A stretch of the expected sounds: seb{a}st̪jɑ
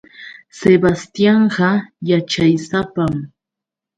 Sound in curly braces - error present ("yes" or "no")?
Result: no